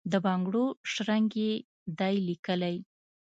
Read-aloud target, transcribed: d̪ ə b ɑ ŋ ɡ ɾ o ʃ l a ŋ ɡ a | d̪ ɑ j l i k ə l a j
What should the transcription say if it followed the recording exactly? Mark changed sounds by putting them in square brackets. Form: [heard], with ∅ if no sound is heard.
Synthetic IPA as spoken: d̪ ə b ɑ ŋ ɡ [ɽ] o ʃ [ɾ] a ŋ ɡ [e] | d̪ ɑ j l i k ə l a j